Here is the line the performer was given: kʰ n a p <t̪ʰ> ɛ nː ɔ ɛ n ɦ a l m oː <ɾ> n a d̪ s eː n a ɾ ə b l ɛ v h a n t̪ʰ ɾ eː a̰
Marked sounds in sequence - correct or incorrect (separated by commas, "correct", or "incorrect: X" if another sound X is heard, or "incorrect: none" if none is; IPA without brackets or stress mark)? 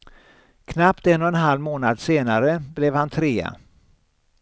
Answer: incorrect: t̪, incorrect: none